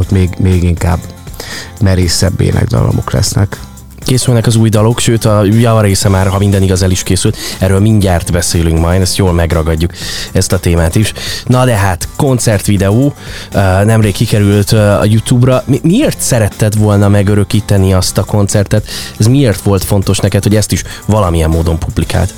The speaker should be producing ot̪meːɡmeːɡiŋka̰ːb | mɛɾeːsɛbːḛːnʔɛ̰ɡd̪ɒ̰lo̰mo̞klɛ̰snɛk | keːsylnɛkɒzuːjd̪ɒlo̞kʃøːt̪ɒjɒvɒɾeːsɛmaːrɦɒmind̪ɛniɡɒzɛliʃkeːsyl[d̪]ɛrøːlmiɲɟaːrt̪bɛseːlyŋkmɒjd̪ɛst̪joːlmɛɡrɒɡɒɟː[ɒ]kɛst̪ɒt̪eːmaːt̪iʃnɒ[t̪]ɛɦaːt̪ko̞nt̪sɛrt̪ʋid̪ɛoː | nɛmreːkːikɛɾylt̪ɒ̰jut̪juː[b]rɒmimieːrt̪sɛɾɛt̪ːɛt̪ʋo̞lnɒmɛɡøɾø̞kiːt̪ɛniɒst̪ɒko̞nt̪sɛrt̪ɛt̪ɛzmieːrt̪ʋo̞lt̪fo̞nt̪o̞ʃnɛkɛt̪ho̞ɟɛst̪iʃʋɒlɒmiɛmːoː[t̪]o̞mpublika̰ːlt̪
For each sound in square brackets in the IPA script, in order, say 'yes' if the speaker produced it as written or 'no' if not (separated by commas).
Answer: no, no, no, yes, no